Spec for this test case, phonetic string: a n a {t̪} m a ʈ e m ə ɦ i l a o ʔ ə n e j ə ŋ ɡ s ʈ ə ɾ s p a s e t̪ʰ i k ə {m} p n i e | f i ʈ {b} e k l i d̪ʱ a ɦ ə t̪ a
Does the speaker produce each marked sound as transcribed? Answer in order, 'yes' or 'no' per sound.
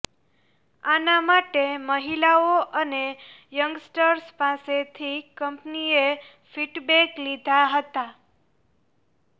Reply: no, yes, yes

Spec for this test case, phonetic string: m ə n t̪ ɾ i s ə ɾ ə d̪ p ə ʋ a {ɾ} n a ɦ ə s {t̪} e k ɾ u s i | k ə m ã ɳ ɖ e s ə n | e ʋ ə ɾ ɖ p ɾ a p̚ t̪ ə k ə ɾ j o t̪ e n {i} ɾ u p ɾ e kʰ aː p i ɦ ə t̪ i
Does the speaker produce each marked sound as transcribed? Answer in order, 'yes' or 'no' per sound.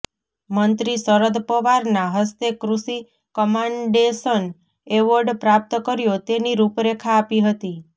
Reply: yes, yes, yes

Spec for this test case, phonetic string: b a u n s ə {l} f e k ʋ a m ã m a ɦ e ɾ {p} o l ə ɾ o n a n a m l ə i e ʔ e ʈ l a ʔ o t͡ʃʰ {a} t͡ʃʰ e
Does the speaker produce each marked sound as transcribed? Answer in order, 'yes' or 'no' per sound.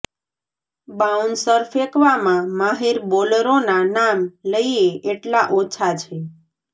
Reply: no, no, yes

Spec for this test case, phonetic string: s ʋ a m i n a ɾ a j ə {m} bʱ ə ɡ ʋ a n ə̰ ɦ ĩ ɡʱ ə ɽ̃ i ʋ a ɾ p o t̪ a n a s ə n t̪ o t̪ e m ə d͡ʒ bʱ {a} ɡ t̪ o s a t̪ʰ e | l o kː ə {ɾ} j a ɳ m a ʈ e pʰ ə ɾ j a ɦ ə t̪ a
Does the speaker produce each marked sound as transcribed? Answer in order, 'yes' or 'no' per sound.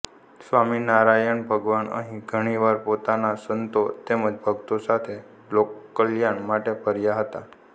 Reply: no, no, no

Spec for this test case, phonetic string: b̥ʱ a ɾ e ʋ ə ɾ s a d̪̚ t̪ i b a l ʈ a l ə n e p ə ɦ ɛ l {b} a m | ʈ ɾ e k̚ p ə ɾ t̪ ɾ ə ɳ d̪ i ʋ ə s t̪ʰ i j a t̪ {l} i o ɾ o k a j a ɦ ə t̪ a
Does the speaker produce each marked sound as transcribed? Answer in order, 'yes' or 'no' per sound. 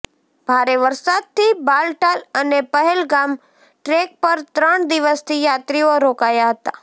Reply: no, no

